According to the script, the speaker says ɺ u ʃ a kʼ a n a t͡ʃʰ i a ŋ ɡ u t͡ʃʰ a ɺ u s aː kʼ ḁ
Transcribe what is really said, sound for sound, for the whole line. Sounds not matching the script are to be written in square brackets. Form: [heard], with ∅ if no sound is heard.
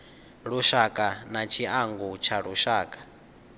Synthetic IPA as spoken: ɺ u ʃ a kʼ a n a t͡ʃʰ i a ŋ ɡ u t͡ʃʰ a ɺ u [ʃ] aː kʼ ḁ